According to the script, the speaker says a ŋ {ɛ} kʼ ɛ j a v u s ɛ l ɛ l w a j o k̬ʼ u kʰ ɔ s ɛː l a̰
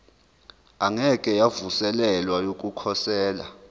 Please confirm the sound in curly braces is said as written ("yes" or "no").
yes